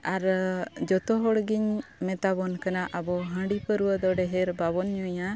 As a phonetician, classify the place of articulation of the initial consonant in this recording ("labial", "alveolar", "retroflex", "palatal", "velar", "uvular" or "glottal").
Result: alveolar